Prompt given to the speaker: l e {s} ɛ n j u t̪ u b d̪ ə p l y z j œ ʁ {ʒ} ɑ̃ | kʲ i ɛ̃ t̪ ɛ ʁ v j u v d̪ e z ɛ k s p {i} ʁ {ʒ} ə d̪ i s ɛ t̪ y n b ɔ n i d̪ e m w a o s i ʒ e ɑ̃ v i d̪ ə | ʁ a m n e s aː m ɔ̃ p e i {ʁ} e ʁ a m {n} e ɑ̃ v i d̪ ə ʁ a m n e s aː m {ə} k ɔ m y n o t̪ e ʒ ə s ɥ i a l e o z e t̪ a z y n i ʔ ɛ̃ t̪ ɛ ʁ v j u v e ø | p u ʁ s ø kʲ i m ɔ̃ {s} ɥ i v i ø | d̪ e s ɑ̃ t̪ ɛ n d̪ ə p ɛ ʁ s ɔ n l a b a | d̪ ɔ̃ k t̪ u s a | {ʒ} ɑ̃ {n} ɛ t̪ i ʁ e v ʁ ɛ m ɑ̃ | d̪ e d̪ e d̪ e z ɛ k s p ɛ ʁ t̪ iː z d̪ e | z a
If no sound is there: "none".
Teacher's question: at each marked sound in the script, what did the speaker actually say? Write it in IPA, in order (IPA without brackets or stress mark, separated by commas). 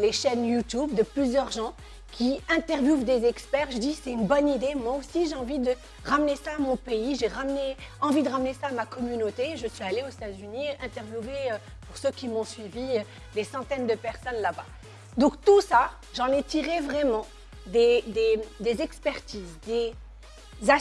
ʃ, ʒ, ɛ, ʒ, ʒ, n, a, s, ʒ, n